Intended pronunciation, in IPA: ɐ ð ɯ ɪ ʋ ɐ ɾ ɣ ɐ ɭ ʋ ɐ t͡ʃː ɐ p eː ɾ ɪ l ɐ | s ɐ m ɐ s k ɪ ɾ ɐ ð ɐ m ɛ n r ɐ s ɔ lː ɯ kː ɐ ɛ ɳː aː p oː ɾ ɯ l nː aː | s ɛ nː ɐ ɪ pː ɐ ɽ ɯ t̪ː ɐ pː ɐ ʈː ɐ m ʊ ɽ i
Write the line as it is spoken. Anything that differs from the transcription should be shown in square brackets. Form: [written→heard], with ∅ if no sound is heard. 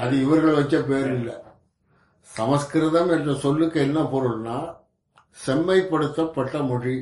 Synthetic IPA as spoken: ɐ ð ɯ ɪ ʋ ɐ ɾ ɣ ɐ ɭ ʋ ɐ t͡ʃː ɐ p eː ɾ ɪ [l→lː] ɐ | s ɐ m ɐ s k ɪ ɾ ɐ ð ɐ m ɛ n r ɐ s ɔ lː ɯ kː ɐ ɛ [ɳː→nː] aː p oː ɾ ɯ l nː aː | s ɛ [nː→mː] ɐ ɪ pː ɐ ɽ ɯ t̪ː ɐ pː ɐ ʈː ɐ m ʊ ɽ i